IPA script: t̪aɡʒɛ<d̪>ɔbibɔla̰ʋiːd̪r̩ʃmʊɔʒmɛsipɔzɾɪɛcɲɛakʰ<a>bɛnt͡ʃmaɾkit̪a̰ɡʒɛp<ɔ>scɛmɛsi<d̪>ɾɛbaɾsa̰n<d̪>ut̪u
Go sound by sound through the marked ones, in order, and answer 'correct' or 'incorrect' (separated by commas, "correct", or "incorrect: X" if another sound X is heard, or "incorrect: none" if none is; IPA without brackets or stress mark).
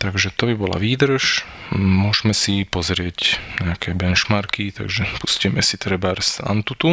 incorrect: t̪, incorrect: ɛ, incorrect: u, incorrect: t̪, incorrect: t̪